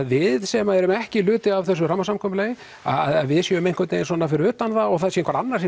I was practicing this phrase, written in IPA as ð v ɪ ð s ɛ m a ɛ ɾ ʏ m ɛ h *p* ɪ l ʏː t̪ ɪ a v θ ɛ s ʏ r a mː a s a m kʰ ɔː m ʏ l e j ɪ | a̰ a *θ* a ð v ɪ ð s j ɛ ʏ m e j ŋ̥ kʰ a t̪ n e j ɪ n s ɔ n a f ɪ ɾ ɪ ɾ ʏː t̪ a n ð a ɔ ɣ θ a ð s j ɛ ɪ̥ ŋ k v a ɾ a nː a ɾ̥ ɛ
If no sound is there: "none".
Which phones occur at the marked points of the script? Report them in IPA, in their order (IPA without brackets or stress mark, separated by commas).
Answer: c, ð